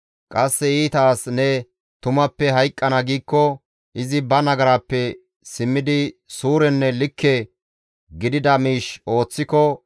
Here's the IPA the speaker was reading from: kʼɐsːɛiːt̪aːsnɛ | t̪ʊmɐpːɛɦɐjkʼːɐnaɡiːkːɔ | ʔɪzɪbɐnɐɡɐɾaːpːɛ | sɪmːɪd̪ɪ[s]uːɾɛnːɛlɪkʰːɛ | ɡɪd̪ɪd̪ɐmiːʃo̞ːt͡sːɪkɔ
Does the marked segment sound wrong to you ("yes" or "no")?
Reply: no